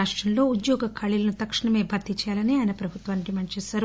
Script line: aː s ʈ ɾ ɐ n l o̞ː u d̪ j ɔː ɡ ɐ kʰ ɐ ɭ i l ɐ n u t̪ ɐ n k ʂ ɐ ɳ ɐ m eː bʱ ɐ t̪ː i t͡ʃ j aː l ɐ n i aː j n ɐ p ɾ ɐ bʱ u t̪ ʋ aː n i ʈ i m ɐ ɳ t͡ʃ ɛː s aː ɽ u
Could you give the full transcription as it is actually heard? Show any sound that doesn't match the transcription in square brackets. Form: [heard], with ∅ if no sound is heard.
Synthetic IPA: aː [ʂ] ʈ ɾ ɐ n l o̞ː u d̪ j ɔː ɡ ɐ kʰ ɐ ɭ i l ɐ n u t̪ ɐ [∅] k ʂ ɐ ɳ ɐ m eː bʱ ɐ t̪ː i t͡ʃ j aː l ɐ n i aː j n ɐ p ɾ ɐ bʱ u t̪ ʋ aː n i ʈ i m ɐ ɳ t͡ʃ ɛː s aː [ɾ] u

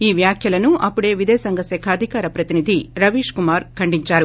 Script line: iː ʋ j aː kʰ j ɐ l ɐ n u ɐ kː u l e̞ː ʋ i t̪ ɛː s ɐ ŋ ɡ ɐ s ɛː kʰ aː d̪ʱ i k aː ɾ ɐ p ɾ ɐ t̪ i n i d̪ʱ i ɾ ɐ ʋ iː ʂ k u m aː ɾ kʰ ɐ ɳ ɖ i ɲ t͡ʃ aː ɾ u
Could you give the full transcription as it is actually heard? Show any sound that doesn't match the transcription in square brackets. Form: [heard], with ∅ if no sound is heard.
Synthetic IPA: iː ʋ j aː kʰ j ɐ l ɐ n u ɐ [pː] u [ɽ] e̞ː ʋ i [d̪] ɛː s ɐ ŋ ɡ ɐ s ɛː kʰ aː d̪ʱ i k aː ɾ ɐ p ɾ ɐ t̪ i n i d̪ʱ i ɾ ɐ ʋ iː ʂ k u m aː ɾ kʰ ɐ ɳ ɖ i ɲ t͡ʃ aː ɾ u

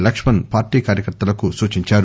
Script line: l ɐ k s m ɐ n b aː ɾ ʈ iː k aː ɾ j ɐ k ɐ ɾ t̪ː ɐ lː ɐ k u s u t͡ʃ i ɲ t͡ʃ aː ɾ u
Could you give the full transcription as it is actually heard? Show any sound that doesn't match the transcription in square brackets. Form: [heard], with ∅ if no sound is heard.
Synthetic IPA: l ɐ k [ʂ] m ɐ n [p] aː ɾ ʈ iː k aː ɾ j ɐ k ɐ ɾ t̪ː ɐ [l] ɐ k u s [uː] t͡ʃ i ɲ t͡ʃ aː ɾ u

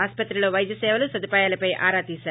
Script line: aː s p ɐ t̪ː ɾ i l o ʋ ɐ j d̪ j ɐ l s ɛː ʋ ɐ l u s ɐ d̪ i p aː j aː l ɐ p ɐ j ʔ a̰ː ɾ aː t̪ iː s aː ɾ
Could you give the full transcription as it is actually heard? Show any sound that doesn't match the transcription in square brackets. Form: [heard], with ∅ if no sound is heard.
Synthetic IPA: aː s p ɐ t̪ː ɾ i l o ʋ ɐ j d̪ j ɐ [∅] s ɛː ʋ ɐ l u s ɐ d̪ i p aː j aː l ɐ p ɐ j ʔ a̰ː ɾ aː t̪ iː s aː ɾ

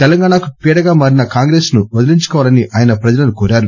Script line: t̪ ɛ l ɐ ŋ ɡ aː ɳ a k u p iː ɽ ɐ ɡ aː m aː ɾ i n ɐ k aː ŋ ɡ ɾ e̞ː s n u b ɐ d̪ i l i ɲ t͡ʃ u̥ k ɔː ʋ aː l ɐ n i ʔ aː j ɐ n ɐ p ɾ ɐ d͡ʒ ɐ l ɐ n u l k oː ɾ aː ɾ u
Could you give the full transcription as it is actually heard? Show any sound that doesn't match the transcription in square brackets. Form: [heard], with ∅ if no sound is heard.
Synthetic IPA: t̪ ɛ l ɐ ŋ ɡ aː ɳ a k u p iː ɽ ɐ ɡ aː m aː ɾ i n ɐ k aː ŋ ɡ ɾ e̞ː s n u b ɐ d̪ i l i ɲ t͡ʃ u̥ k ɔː ʋ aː l ɐ n i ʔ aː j ɐ n ɐ p ɾ ɐ d͡ʒ ɐ l ɐ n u [∅] k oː ɾ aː ɾ u

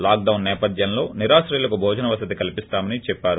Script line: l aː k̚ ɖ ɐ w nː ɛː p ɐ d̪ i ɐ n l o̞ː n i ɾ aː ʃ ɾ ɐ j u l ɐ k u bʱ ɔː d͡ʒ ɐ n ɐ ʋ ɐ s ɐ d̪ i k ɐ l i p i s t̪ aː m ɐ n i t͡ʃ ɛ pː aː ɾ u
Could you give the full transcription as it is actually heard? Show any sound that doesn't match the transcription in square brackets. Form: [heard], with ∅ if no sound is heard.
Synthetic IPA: l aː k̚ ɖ ɐ w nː ɛː p ɐ d̪ [j] ɐ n l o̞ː n i ɾ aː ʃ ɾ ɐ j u l ɐ k u bʱ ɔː d͡ʒ ɐ n ɐ ʋ ɐ s ɐ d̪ i k ɐ l i p i s t̪ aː m ɐ n i t͡ʃ ɛ pː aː ɾ u

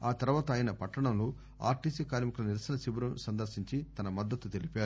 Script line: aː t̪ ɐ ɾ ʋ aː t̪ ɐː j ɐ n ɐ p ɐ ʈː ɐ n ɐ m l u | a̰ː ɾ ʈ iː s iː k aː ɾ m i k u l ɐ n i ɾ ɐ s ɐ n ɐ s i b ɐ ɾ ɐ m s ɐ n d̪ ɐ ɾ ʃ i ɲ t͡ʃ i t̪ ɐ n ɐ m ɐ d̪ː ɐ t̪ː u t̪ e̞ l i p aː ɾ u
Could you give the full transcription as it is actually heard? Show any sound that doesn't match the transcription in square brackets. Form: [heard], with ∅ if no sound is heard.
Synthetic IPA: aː t̪ ɐ ɾ ʋ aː t̪ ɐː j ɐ n ɐ p ɐ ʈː ɐ [ɳ] ɐ m l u | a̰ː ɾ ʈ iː s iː k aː ɾ m i k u l ɐ n i ɾ ɐ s ɐ n ɐ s i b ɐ ɾ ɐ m s ɐ n d̪ ɐ ɾ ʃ i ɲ t͡ʃ i t̪ ɐ n ɐ m ɐ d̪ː ɐ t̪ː u t̪ e̞ l i p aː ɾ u

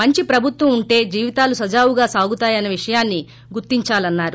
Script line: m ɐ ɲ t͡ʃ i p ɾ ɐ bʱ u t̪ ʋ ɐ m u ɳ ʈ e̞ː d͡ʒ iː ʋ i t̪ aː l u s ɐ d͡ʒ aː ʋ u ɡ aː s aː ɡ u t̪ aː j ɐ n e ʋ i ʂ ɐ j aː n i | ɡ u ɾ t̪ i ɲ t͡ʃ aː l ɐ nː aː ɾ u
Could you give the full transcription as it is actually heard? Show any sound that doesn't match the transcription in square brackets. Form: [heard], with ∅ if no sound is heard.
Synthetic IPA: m ɐ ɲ t͡ʃ i p ɾ ɐ bʱ u t̪ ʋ ɐ m u ɳ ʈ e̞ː d͡ʒ iː ʋ i t̪ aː l u s ɐ d͡ʒ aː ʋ u ɡ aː s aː ɡ u t̪ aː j ɐ n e ʋ i ʂ ɐ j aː [nː] i | ɡ u ɾ t̪ i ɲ t͡ʃ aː l ɐ nː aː ɾ u

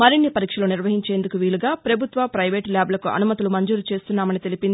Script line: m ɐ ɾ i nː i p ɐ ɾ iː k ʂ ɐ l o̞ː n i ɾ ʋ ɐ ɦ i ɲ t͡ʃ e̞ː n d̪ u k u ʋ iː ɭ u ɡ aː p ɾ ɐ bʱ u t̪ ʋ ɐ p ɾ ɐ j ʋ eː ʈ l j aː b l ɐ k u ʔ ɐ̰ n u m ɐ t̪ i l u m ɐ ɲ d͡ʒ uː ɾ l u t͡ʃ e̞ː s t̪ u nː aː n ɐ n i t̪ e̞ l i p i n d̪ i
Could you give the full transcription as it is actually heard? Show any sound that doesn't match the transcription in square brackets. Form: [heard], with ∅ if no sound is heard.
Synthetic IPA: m ɐ ɾ i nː i p ɐ ɾ iː k ʂ ɐ l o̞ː n i ɾ ʋ ɐ ɦ i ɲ t͡ʃ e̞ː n d̪ u k u ʋ iː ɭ u ɡ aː p ɾ ɐ bʱ u t̪ ʋ ɐ p ɾ ɐ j ʋ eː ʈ l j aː b l ɐ k u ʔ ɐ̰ n u m ɐ t̪ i l u m ɐ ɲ d͡ʒ uː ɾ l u t͡ʃ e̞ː s t̪ u nː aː [m] ɐ n i t̪ e̞ l i p i n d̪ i

